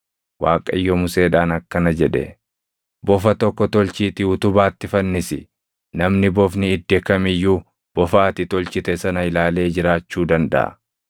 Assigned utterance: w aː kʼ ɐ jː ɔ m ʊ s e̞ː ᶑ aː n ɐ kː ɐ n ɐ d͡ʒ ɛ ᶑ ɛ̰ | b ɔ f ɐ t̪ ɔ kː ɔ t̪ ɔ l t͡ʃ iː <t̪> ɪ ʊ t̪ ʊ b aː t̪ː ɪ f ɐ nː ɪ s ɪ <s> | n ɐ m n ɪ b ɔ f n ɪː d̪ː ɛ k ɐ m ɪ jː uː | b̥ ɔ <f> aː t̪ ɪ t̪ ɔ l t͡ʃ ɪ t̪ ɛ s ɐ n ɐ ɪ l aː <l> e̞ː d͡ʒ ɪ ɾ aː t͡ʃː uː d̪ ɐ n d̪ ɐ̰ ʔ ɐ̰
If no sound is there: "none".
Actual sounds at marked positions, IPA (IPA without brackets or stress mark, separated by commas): t̪, none, f, l